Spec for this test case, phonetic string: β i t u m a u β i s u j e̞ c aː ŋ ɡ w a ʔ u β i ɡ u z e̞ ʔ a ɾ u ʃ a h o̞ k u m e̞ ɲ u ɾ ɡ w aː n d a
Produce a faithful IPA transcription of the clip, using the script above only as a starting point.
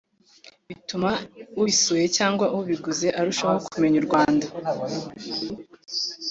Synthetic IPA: β i t u m a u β i s u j e̞ c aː ŋ ɡ w a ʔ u β i ɡ u z e̞ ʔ a ɾ u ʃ a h o̞ k u m e̞ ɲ u ɾ ɡ w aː n d a